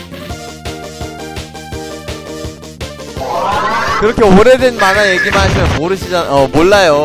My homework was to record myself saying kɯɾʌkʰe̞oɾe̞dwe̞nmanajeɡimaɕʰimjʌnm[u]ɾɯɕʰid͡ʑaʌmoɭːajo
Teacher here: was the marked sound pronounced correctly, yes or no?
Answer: no